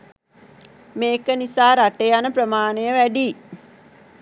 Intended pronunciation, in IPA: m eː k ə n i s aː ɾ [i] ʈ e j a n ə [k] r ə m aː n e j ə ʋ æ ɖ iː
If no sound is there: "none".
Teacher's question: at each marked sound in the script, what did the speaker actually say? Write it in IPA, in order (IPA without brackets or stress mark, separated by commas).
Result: a, p